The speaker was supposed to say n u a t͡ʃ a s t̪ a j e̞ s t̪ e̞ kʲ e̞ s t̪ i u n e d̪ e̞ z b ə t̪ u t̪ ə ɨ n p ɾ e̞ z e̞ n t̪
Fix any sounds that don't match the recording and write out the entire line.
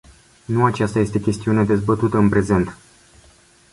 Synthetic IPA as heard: n u a t͡ʃ a s t̪ a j e̞ s t̪ e̞ kʲ e̞ s t̪ i u n e d̪ e̞ z b ə t̪ u t̪ ə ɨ n p ɾ e̞ z e̞ n t̪